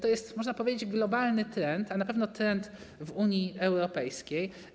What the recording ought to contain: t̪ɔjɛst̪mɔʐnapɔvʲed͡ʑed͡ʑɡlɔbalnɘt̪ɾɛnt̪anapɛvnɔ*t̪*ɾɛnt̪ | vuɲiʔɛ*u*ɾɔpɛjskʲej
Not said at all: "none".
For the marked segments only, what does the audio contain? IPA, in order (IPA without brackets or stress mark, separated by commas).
t̪, w